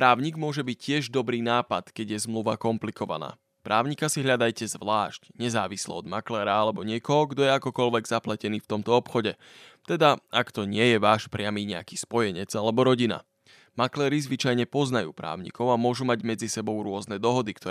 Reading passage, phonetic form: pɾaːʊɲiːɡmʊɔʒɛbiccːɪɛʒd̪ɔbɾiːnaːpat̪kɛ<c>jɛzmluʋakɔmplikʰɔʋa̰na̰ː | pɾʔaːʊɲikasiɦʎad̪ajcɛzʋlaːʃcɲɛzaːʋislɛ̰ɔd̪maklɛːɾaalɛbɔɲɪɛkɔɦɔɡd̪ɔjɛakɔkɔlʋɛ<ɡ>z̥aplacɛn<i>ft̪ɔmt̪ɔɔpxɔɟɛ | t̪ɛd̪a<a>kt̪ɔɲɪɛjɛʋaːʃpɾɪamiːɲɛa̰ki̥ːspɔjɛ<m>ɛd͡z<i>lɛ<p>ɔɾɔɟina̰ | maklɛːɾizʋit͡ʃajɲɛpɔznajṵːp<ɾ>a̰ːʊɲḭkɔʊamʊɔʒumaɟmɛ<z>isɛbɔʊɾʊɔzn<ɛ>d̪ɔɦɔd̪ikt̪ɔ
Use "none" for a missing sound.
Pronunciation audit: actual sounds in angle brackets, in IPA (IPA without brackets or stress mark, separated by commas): ɟ, ɡ, iː, a, ɲ, a, b, ɾ, d͡z, ɛ